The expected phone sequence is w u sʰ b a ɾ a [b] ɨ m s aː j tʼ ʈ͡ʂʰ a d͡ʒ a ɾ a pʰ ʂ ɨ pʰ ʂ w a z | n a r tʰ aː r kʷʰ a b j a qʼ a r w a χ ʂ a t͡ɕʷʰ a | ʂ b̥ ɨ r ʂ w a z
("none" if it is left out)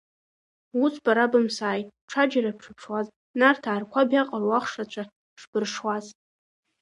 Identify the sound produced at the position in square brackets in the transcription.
b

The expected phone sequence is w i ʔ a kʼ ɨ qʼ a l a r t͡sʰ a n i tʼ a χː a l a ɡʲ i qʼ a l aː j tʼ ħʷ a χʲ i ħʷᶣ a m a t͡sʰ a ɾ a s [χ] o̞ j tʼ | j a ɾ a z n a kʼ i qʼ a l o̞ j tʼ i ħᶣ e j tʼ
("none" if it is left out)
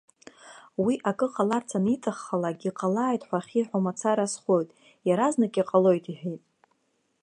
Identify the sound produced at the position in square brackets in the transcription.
χ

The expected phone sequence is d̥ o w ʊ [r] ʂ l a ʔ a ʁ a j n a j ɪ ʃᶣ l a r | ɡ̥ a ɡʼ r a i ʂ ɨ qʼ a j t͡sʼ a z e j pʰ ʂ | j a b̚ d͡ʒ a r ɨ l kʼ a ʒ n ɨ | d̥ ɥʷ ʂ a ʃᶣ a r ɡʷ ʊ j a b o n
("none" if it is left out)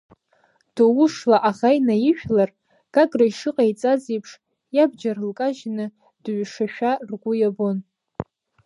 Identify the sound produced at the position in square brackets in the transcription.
none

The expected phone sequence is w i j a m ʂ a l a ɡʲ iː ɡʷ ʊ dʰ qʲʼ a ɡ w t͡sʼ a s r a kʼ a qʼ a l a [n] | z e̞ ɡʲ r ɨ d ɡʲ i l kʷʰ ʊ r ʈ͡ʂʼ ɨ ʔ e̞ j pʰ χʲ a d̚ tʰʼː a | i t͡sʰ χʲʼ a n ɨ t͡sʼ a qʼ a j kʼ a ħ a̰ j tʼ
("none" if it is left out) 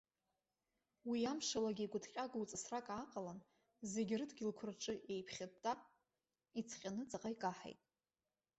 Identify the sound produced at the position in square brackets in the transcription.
n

